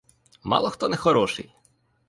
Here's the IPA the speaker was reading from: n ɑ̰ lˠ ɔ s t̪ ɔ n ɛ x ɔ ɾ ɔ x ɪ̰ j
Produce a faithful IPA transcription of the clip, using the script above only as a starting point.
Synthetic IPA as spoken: m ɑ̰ lˠ ɔ x t̪ ɔ n ɛ x ɔ ɾ ɔ ʃ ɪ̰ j